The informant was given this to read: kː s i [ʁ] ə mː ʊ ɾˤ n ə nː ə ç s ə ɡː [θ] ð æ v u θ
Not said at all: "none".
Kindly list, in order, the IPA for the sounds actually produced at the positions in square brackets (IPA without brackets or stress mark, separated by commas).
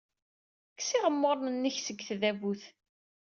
ʁ, θ